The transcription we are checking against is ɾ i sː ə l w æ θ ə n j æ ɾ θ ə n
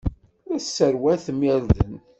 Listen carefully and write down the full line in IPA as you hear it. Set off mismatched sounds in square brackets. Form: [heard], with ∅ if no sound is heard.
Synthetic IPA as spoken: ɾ [æ] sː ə [ɾ] w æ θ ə [m] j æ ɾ [ð] ə n